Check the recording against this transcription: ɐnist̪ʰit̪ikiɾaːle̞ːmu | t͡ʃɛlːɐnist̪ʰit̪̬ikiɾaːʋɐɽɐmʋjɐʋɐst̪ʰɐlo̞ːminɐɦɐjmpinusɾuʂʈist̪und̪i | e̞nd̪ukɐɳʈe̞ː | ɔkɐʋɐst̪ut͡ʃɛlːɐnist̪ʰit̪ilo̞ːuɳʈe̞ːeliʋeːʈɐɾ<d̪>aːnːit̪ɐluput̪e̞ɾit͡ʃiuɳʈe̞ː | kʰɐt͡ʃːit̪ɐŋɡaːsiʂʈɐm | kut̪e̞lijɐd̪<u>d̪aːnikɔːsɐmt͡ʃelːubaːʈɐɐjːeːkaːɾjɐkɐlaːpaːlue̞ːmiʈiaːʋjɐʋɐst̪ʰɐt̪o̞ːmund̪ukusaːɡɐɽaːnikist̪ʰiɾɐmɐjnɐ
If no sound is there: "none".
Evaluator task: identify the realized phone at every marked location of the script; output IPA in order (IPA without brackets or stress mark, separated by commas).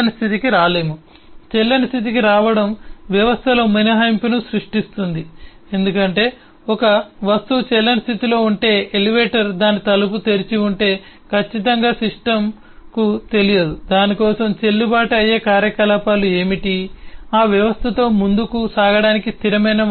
d̪, u